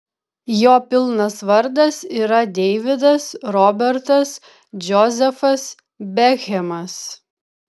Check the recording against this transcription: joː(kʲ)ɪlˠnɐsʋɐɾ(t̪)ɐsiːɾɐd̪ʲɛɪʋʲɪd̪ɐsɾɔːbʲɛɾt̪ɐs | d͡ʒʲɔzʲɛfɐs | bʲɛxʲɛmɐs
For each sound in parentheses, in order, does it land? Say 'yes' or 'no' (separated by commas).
no, no